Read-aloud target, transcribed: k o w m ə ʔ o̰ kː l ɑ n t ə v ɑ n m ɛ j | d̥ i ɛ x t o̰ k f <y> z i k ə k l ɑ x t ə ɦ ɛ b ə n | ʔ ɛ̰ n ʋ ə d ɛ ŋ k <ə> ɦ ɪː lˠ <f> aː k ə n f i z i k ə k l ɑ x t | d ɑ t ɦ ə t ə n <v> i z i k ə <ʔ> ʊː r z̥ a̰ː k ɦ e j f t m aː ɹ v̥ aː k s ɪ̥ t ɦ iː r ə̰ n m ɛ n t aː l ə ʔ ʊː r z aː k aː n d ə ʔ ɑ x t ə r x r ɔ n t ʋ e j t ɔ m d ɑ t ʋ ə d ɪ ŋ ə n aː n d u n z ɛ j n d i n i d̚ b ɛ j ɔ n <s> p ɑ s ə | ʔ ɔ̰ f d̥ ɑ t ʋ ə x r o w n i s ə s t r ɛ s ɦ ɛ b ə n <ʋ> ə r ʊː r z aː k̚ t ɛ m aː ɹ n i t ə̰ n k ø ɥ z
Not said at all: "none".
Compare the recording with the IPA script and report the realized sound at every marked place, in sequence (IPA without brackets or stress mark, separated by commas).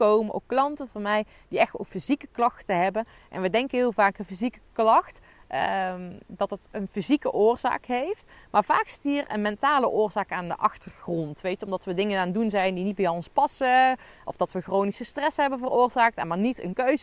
i, ə, v, f, ʔ, s, v